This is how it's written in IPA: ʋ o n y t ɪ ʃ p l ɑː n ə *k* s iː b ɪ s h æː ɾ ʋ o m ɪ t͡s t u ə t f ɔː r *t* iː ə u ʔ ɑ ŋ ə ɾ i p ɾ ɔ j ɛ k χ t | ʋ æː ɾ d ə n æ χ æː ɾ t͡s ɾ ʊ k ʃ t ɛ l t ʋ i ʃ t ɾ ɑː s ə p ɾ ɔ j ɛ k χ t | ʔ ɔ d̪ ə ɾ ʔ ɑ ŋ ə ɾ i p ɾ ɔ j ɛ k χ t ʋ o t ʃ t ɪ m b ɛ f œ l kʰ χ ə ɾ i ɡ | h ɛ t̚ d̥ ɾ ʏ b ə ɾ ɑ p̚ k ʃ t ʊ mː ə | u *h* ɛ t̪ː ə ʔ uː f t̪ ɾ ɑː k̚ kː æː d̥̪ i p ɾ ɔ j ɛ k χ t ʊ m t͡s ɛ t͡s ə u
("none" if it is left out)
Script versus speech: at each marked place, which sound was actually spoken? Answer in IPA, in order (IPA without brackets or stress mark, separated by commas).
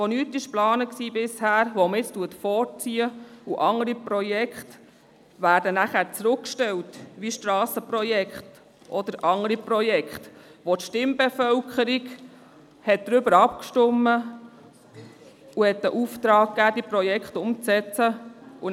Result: k, t͡s, h